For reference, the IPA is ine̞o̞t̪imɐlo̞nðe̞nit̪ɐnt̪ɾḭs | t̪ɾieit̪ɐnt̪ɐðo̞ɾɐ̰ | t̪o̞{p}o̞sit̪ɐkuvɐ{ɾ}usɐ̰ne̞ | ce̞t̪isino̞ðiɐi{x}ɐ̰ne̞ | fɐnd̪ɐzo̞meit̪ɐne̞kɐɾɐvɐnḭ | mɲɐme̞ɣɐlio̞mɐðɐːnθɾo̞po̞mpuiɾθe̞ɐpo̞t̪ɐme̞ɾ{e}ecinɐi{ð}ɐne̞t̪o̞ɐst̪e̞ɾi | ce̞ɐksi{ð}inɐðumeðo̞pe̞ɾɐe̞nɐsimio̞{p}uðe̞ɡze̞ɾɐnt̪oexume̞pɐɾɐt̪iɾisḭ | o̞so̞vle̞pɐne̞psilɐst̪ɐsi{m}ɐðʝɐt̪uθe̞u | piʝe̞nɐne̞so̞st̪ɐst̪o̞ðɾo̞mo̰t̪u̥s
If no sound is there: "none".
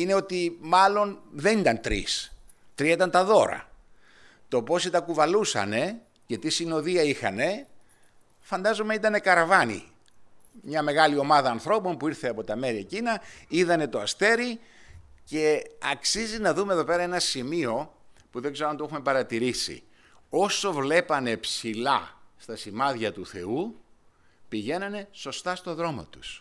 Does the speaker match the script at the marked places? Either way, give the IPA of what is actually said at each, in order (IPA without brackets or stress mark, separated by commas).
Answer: p, l, x, i, ð, z, p, m